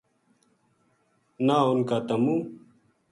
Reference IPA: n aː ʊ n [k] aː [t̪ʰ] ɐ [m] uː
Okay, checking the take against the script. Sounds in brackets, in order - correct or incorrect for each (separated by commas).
correct, incorrect, correct